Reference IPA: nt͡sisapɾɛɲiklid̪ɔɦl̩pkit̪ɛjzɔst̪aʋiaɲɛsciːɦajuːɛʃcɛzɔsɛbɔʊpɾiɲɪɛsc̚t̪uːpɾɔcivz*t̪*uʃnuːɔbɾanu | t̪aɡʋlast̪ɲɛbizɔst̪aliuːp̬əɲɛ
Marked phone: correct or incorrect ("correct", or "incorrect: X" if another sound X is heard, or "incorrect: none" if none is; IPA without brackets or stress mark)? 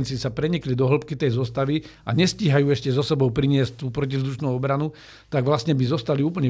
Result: incorrect: d̪